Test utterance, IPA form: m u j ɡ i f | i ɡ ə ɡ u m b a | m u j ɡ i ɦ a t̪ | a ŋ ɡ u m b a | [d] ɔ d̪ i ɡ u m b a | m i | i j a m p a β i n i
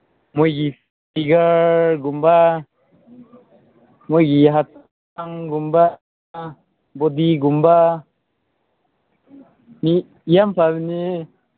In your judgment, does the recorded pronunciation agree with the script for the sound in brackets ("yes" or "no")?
no